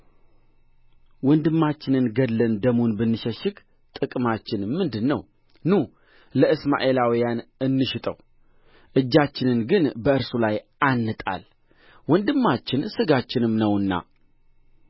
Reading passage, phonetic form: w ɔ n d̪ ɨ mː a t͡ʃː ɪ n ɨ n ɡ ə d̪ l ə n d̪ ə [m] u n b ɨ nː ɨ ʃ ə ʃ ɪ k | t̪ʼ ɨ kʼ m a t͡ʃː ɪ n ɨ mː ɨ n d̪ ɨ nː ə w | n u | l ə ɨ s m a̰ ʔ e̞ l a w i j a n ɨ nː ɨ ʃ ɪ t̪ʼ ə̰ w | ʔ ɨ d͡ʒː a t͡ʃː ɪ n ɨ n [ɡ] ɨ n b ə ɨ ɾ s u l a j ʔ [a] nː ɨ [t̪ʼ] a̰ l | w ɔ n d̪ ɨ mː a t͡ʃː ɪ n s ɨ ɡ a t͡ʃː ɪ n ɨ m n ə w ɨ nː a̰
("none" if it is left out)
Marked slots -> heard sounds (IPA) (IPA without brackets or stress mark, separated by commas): m, ɡ, a, t̪ʼ